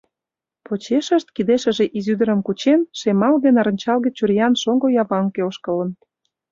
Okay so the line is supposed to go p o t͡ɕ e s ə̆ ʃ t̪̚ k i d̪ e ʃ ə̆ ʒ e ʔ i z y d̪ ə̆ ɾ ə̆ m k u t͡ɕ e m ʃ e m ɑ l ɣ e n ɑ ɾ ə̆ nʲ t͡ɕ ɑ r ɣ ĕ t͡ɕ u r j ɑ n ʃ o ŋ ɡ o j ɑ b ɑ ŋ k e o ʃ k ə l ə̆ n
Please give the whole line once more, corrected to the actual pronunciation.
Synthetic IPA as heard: p o t͡ɕ e ʃ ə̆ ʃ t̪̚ k i d̪ e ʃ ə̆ ʒ e ʔ i z y d̪ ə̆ ɾ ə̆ m k u t͡ɕ e n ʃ e m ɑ l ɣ e n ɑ ɾ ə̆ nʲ t͡ɕ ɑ l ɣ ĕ t͡ɕ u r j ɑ n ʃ o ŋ ɡ o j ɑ β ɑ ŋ k e o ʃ k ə l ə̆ n